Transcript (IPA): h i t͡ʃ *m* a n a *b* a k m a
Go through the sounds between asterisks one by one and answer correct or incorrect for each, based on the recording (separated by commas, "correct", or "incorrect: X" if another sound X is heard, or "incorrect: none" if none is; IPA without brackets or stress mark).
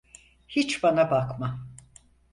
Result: incorrect: b, correct